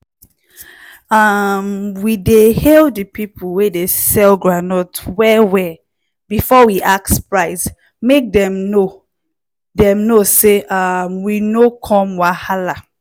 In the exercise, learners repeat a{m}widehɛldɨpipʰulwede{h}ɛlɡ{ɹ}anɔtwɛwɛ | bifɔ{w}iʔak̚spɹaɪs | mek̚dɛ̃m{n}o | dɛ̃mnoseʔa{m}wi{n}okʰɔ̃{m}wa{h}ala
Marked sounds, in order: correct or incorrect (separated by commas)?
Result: correct, incorrect, correct, correct, correct, correct, correct, correct, correct